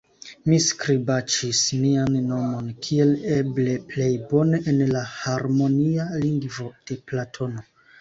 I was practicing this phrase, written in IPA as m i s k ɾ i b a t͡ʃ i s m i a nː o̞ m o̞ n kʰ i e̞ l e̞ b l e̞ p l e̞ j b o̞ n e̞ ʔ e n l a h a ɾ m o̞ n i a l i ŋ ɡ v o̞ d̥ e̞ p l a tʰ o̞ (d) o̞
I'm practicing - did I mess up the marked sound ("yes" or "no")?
yes